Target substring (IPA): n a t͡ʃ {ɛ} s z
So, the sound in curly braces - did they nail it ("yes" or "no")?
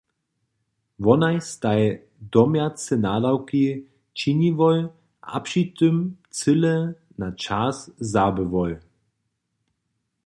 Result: no